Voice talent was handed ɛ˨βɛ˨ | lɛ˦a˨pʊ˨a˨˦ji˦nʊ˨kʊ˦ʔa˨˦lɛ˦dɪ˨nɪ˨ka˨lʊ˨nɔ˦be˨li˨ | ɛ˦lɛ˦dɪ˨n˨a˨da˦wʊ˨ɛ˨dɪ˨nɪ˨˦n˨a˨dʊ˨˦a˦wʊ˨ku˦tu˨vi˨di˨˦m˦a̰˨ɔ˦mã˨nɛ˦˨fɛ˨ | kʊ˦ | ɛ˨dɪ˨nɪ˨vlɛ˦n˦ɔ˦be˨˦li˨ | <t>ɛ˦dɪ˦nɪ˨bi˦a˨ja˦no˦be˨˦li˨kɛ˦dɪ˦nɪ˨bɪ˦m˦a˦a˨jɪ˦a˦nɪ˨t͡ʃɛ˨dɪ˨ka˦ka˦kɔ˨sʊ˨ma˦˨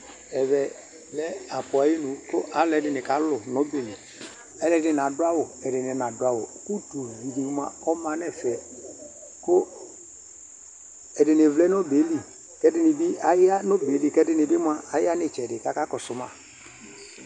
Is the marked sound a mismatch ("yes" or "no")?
yes